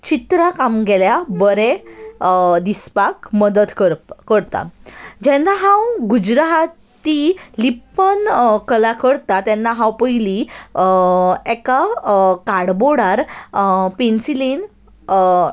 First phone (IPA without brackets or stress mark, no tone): t͡ɕ